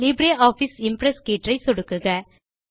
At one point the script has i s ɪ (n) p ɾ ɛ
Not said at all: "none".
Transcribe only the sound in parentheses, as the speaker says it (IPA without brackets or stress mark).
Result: m